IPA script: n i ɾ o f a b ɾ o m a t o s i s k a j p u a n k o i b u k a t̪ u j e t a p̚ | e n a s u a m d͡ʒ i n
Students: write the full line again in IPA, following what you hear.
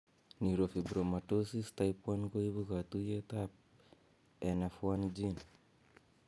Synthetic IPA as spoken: n i ɾ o f i b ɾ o m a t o s i s t a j p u a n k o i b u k a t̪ u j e t a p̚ | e n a f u a n d͡ʒ i n

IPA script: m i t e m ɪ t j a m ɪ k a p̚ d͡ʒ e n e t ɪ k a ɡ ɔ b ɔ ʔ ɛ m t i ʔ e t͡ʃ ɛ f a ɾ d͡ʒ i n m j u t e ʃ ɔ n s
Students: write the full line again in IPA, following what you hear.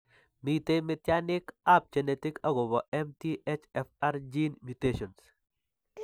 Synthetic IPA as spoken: m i t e m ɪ t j a n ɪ k a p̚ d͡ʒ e n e t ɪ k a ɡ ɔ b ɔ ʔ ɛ m t i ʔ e t͡ʃ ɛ f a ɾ d͡ʒ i n m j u t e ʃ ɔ n s

